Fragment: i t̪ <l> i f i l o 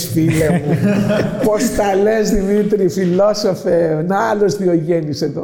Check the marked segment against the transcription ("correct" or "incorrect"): incorrect